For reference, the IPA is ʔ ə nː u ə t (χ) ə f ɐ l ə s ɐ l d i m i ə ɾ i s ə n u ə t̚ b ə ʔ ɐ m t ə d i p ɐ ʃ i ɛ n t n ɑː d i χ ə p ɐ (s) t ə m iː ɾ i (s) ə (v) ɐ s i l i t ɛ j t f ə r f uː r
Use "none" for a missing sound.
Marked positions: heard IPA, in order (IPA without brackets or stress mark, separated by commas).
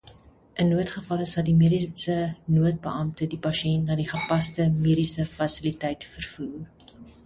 χ, s, s, f